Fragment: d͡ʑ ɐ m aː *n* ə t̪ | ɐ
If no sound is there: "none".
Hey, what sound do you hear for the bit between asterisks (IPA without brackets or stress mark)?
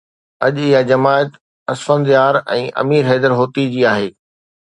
none